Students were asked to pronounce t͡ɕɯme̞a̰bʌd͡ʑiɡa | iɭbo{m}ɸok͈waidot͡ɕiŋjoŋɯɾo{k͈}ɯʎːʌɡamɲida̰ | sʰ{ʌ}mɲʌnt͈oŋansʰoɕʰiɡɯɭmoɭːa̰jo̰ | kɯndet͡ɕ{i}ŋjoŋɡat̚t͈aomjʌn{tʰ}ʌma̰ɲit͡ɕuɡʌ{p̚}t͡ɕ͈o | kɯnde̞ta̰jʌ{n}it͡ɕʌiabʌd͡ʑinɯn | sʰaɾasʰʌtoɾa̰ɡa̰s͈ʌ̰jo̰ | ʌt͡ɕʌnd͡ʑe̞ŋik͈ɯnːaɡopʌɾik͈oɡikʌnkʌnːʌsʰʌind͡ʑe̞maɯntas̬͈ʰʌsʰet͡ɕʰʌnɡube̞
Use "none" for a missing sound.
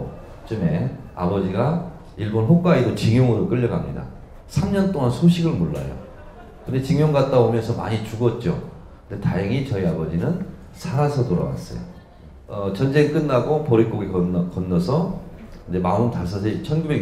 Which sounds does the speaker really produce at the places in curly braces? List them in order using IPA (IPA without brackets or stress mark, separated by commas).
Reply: n, k͈, a, i, sʰ, t̚, ŋ